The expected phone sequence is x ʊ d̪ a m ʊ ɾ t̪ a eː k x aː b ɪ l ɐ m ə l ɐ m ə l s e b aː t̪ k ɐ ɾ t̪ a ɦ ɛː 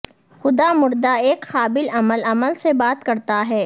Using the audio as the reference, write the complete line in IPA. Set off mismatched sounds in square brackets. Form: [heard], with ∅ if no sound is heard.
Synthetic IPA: x ʊ d̪ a m ʊ ɾ [d̪] a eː k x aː b ɪ l ɐ m ə l ɐ m ə l s e b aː t̪ k ɐ ɾ t̪ a ɦ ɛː